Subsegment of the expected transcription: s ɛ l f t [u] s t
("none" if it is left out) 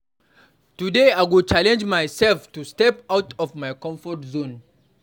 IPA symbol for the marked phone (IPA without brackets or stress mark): u